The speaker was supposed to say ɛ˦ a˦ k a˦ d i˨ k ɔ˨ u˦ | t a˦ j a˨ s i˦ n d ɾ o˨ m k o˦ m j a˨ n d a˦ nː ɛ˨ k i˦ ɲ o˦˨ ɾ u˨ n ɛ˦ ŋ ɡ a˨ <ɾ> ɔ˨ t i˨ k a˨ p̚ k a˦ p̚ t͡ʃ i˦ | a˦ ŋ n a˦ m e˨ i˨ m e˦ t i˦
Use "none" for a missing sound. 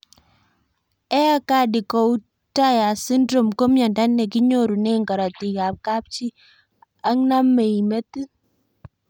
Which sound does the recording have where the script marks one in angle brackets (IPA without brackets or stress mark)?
ɾ